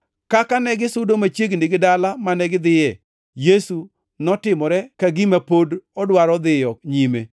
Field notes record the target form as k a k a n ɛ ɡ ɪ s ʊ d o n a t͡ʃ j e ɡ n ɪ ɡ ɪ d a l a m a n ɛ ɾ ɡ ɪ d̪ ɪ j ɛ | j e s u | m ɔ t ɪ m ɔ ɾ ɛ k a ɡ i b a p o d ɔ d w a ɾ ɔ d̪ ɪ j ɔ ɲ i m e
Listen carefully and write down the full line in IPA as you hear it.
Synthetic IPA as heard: k a k a n ɛ ɡ ɪ s ʊ d o m a t͡ʃ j e ɡ n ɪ ɡ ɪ d a l a m a n ɛ ɡ ɪ d̪ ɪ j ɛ | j e s u | n ɔ t ɪ m ɔ ɾ ɛ k a ɡ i m a p o d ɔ d w a ɾ ɔ d̪ ɪ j ɔ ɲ i m e